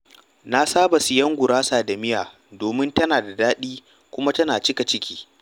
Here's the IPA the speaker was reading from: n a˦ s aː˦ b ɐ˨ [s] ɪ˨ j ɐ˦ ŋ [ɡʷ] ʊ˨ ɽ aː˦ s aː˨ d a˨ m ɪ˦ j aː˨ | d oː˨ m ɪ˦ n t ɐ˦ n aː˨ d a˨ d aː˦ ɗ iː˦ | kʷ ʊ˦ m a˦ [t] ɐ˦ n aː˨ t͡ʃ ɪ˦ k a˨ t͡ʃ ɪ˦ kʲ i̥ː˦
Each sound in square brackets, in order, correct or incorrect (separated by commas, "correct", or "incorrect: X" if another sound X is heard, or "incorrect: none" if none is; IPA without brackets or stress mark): correct, correct, correct